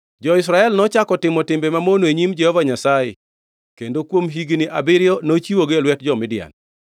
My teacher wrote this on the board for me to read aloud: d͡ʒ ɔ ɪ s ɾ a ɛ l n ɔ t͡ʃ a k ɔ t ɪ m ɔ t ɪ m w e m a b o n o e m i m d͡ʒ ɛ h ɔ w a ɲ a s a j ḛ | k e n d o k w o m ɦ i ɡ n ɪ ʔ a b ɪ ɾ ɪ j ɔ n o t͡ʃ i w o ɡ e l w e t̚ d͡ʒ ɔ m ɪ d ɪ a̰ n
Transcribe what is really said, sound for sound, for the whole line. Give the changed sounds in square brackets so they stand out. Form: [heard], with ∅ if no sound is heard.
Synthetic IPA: d͡ʒ ɔ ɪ s ɾ a ɛ l n ɔ t͡ʃ a k ɔ t ɪ m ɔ t ɪ m [b] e m a [m] o n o e [ɲ] i m d͡ʒ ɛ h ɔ [v] a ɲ a s a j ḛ | k e n d o k w o m ɦ i ɡ n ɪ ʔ a b ɪ ɾ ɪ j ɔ n o t͡ʃ i w o ɡ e l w [ɛ] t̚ d͡ʒ ɔ m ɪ d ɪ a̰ n